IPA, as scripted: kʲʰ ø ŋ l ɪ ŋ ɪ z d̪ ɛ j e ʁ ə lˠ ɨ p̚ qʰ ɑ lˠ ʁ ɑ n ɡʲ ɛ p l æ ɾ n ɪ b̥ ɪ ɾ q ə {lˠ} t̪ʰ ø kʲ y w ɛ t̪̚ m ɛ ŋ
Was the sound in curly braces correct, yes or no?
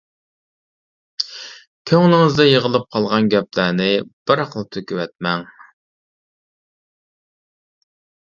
yes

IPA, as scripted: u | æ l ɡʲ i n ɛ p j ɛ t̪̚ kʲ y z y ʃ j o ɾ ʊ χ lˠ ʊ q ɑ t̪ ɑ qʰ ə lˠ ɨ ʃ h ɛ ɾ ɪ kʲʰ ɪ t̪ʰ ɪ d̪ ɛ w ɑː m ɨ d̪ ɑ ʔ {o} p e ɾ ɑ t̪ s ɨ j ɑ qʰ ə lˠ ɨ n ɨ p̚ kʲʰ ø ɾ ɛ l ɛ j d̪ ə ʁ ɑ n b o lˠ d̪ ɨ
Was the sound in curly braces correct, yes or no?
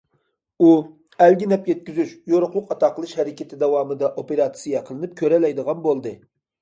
yes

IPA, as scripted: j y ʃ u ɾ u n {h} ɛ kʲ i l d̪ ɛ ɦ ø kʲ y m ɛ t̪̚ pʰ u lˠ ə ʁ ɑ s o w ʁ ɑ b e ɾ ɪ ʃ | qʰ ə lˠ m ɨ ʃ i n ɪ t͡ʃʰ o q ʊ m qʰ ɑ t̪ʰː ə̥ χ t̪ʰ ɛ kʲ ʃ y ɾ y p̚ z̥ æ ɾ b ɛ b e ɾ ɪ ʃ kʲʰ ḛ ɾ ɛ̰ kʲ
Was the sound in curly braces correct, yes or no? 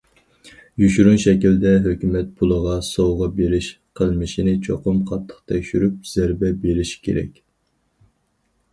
no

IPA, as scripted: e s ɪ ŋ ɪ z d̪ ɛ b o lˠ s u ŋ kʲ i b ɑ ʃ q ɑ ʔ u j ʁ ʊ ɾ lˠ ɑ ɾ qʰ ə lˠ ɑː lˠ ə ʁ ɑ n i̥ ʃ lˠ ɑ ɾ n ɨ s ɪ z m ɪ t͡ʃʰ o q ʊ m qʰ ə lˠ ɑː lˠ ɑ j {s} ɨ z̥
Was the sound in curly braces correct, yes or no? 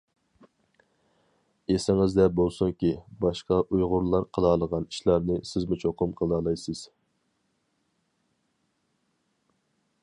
yes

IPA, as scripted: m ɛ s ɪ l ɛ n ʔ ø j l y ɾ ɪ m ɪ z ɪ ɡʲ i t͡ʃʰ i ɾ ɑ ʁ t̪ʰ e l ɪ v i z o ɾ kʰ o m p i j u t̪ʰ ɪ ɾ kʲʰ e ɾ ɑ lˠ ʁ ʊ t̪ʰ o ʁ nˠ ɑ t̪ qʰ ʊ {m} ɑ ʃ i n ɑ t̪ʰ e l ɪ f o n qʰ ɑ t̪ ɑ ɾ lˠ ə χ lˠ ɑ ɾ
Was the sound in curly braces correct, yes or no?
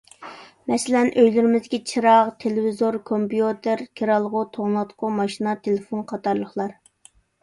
yes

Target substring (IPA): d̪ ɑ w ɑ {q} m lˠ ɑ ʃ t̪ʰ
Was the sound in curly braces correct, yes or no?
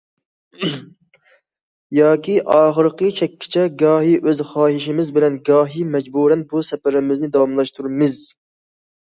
no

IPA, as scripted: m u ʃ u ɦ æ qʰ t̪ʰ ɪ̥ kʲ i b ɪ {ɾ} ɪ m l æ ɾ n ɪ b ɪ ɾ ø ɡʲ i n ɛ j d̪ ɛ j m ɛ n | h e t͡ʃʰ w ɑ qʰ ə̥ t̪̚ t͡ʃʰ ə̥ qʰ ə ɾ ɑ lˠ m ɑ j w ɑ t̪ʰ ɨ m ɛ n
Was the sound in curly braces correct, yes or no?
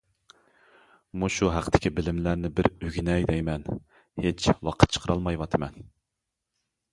no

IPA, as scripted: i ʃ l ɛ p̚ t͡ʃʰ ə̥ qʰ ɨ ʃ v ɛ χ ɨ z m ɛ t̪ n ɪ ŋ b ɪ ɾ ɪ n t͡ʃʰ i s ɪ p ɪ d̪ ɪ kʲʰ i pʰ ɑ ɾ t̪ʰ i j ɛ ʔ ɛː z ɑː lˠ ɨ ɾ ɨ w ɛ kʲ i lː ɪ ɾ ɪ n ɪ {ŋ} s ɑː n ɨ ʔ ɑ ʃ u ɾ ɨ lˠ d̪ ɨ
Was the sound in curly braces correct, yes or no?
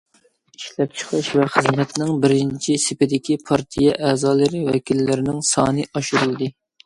yes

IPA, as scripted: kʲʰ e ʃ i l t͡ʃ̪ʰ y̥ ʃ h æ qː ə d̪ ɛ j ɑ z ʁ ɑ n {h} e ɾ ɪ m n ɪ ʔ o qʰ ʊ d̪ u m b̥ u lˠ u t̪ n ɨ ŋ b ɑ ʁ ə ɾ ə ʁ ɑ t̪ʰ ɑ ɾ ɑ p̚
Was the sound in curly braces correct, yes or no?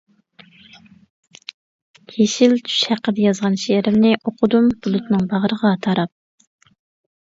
no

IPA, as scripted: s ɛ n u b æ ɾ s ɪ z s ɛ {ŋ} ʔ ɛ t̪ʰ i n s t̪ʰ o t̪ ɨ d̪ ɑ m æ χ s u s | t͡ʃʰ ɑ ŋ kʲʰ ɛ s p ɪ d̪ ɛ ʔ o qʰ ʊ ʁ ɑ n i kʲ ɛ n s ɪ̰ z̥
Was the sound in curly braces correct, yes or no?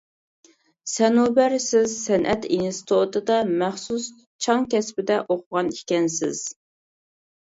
no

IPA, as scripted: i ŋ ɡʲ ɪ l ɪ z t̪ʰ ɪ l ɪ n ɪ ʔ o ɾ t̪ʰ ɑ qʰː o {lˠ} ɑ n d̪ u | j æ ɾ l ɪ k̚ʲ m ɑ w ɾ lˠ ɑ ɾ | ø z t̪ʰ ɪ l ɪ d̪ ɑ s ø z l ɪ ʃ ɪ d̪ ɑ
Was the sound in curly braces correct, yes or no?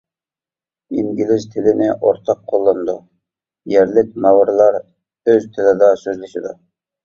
no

